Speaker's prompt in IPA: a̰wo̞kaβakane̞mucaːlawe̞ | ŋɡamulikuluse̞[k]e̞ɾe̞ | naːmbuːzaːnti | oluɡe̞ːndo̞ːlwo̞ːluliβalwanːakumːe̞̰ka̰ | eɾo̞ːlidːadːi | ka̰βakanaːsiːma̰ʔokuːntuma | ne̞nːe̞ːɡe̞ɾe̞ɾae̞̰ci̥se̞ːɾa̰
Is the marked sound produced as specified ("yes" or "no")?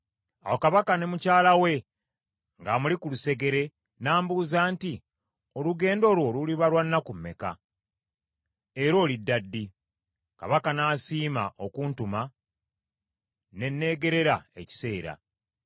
no